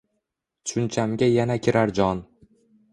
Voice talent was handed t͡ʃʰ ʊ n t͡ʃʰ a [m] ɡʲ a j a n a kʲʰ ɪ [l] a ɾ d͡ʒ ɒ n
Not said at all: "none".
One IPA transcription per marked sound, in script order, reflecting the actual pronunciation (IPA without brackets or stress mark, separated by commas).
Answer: m, ɾ